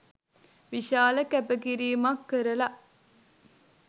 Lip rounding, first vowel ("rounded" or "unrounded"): unrounded